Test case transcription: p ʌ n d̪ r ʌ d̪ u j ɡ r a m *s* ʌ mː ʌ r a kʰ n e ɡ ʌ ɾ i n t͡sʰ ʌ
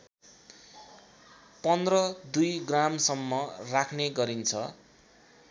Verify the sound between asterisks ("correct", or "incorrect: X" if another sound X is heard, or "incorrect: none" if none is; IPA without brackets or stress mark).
correct